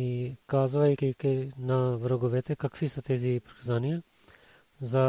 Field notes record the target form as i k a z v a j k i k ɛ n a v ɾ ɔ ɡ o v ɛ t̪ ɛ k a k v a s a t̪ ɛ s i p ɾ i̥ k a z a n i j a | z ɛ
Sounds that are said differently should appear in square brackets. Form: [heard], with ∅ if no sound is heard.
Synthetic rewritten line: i k a z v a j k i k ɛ n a v ɾ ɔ ɡ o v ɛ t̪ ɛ k a k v [i] s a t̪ ɛ [z] i p ɾ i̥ k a z a n i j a | z [a]